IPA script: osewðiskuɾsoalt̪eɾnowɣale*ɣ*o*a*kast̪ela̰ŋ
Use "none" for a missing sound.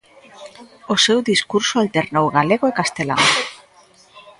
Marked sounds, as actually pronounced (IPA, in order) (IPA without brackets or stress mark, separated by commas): ɣ, e